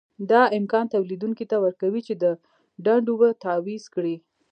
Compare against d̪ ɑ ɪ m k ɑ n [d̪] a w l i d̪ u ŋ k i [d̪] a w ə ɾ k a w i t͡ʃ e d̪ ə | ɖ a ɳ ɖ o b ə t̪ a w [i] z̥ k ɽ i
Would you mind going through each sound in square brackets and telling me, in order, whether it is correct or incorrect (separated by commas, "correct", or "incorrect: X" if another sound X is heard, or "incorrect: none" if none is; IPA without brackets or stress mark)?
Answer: incorrect: t̪, incorrect: t̪, correct